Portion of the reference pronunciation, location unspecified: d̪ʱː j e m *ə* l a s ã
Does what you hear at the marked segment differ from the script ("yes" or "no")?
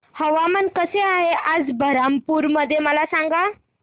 no